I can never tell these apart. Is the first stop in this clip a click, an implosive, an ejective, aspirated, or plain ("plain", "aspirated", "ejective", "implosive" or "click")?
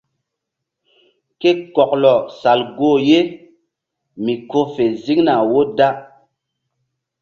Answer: plain